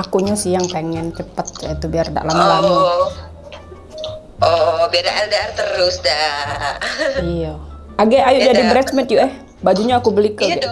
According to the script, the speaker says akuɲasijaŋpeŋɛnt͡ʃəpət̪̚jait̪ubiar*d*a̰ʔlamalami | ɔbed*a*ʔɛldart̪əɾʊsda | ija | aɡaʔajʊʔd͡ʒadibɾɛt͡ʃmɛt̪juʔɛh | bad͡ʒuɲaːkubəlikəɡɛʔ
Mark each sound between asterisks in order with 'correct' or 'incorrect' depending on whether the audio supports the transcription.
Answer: correct, correct

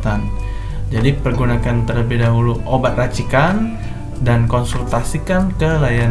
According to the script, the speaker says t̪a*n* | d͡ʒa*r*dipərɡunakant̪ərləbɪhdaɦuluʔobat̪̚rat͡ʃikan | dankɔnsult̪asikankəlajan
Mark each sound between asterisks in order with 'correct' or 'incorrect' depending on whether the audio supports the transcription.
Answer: correct, incorrect: none

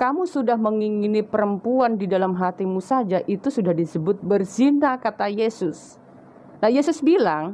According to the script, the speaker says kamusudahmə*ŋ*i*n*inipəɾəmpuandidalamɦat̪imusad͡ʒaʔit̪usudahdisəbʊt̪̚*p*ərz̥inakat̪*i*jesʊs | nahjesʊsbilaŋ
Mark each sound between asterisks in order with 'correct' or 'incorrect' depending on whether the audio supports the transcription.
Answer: correct, incorrect: ŋ, incorrect: b, incorrect: a

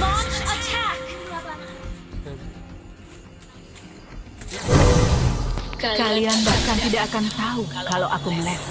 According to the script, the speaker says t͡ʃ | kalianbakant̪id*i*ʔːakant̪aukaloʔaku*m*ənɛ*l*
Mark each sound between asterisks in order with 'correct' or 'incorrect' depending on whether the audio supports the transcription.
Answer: incorrect: a, correct, incorrect: none

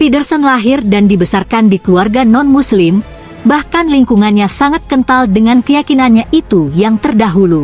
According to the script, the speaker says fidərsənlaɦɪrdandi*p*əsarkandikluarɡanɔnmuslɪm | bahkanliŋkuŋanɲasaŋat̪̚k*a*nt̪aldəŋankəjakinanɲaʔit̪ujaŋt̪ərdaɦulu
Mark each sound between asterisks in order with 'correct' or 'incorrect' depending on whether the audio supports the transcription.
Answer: incorrect: b, incorrect: ə

